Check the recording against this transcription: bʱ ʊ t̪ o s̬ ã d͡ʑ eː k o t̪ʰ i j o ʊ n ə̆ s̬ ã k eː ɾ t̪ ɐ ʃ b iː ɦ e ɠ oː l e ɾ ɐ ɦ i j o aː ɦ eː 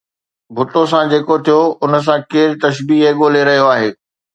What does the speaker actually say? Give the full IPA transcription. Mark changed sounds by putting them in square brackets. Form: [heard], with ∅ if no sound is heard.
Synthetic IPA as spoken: bʱ ʊ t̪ o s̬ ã d͡ʑ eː k o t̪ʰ i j o ʊ n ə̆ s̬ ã k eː ɾ t̪ ɐ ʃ b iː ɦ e ɠ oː l e ɾ ɐ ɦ i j o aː ɦ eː

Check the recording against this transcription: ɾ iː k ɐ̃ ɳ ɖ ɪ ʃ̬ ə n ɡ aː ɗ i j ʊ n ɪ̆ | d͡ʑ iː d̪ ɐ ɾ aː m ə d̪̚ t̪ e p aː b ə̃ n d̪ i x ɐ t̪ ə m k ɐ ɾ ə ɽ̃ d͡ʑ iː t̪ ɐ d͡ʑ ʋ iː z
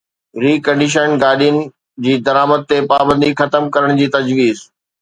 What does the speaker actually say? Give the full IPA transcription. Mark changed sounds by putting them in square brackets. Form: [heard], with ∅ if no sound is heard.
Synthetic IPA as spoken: ɾ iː k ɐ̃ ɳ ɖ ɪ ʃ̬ ə n ɡ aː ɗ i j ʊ n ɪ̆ | d͡ʑ iː d̪ ɐ ɾ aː m ə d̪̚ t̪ e p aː b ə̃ n d̪ i x ɐ t̪ ə m k ɐ ɾ ə ɽ̃ d͡ʑ iː t̪ ɐ d͡ʑ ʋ iː z

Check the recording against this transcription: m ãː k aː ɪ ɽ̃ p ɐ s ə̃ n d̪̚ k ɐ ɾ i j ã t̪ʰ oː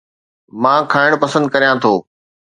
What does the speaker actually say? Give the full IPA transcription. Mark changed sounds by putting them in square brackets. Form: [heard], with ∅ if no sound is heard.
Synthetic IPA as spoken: m ãː [kʰ] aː ɪ ɽ̃ p ɐ s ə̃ n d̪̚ k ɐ ɾ i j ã t̪ʰ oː

